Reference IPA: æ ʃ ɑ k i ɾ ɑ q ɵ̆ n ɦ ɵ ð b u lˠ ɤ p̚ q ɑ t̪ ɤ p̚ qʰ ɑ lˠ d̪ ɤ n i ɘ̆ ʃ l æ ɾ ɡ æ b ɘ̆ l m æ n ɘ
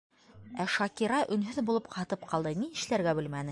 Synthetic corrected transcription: æ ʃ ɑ k i ɾ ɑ ʔ ɵ̆ n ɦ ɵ ð b u lˠ ɤ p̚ q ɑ t̪ ɤ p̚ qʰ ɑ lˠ d̪ ɤ n i ɘ̆ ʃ l æ ɾ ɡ æ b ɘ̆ l m æ n ɘ